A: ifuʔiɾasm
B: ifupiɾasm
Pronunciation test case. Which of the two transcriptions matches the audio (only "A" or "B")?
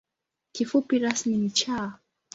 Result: B